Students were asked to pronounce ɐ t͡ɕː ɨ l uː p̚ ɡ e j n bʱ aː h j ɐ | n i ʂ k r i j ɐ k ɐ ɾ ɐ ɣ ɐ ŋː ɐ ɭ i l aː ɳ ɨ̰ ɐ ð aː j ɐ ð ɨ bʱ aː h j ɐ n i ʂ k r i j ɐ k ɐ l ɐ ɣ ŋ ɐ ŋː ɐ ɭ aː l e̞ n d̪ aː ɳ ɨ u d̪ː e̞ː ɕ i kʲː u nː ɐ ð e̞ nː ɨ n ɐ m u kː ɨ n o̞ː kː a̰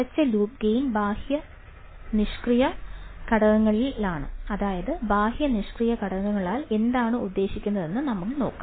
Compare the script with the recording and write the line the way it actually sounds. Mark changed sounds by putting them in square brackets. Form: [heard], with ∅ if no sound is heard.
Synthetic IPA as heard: ɐ t͡ɕː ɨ l uː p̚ ɡ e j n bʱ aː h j ɐ | n i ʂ k r i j ɐ k ɐ [ɽ] ɐ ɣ ɐ ŋː ɐ ɭ i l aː ɳ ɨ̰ ɐ ð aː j ɐ ð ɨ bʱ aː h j ɐ n i ʂ k r i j ɐ k ɐ [ɽ] ɐ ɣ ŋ ɐ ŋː ɐ ɭ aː l e̞ n d̪ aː ɳ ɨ u d̪ː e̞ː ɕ i kʲː u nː ɐ ð e̞ nː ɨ n ɐ m u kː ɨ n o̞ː kː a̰